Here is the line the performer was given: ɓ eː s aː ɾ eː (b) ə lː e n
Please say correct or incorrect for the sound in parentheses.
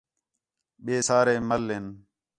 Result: incorrect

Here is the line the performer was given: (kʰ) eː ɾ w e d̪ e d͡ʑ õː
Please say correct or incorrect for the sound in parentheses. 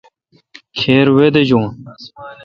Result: correct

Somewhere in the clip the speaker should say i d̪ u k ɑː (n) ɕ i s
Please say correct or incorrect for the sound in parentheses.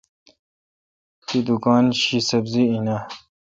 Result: correct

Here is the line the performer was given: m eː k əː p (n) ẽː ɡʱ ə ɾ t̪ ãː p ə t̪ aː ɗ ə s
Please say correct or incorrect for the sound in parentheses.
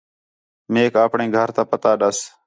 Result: incorrect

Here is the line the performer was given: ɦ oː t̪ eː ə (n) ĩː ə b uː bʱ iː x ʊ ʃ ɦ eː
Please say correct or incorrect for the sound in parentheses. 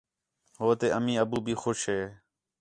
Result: incorrect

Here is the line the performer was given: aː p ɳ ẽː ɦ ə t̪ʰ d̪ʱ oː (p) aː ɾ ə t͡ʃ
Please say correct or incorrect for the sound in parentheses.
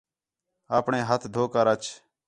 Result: incorrect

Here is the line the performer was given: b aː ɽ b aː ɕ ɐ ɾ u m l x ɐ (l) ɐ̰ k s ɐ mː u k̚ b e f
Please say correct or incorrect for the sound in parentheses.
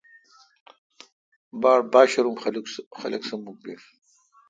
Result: correct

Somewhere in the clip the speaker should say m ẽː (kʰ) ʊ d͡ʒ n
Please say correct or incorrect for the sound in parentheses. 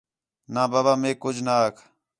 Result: incorrect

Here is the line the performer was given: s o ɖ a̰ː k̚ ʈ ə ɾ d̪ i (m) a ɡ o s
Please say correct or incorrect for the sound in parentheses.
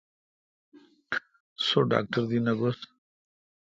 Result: incorrect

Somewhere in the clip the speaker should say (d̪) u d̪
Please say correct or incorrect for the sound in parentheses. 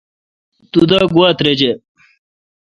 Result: incorrect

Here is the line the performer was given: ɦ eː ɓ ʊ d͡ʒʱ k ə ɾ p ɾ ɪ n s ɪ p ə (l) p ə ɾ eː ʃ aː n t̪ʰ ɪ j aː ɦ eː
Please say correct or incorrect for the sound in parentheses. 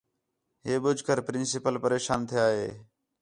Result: correct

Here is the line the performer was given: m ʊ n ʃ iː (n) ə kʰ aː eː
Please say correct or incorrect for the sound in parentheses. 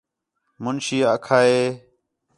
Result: incorrect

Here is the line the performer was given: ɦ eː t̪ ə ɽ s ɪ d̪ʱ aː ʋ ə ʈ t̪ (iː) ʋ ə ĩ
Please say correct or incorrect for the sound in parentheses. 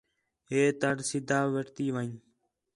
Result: correct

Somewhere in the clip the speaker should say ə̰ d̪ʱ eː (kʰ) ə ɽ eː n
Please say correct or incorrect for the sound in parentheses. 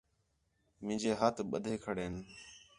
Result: correct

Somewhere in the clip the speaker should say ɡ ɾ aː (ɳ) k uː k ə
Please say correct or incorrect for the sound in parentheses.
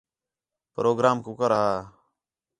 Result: incorrect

